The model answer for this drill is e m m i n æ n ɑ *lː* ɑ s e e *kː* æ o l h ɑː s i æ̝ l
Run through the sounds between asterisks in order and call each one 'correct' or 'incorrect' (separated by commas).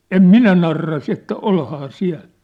incorrect, incorrect